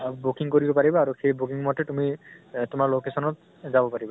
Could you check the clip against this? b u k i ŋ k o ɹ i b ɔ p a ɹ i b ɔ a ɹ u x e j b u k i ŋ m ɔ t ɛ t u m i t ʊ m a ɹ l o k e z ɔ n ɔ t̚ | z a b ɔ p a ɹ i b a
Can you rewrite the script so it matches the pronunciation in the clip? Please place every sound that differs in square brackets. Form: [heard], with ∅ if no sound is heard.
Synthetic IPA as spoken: b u k i ŋ k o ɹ i b ɔ p a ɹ i b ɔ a ɹ u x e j b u k i ŋ m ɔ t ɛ t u m i t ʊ m a ɹ l o k e [s] ɔ n ɔ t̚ | z a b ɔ p a ɹ i b a